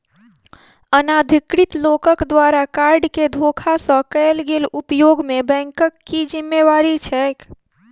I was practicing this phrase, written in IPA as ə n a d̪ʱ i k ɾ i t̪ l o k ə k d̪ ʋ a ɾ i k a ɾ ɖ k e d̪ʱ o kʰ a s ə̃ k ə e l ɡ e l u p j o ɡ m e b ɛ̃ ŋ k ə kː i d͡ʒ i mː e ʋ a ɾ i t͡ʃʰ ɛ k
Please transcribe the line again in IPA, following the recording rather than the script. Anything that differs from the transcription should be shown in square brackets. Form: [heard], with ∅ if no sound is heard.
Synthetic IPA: ə n a d̪ʱ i k ɾ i t̪ l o k ə k d̪ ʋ a ɾ [a] k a ɾ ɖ k e d̪ʱ o kʰ a s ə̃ k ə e l ɡ e l u p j o ɡ m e b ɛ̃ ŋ k ə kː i d͡ʒ i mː e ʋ a ɾ i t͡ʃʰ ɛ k